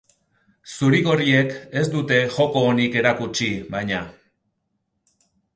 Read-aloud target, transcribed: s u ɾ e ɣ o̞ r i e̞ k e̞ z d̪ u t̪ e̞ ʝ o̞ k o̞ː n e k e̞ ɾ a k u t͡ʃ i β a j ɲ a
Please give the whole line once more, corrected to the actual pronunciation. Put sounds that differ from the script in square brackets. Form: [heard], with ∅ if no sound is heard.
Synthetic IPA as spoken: s u ɾ [i] ɣ o̞ r i e̞ k e̞ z d̪ u t̪ e̞ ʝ o̞ k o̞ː n [i] k e̞ ɾ a k u t͡ʃ i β a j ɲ a